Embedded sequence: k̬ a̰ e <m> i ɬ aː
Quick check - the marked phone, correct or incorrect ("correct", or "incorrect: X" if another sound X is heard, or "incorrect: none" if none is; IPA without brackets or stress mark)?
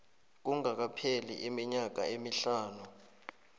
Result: correct